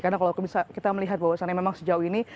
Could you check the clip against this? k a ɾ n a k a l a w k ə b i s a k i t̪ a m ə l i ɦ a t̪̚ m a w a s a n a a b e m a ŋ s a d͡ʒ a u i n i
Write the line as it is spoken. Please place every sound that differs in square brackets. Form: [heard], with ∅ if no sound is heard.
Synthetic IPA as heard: k a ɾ n a k a l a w k ə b i s a k i t̪ a m ə l i ɦ a t̪̚ [b] a w a s a n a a [m] e m a ŋ s [ə] d͡ʒ a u i n i